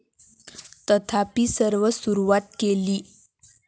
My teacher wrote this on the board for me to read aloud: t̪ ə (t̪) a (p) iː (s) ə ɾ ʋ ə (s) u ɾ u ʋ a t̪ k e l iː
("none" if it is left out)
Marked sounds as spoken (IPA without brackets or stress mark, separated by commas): t̪ʰ, p, s, s